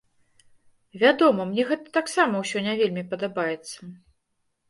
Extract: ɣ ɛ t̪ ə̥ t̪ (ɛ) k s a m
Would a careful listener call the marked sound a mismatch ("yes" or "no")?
yes